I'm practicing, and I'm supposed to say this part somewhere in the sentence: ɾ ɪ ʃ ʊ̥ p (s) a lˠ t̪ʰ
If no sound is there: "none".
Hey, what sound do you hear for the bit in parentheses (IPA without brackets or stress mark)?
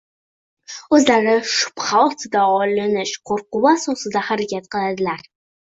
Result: χ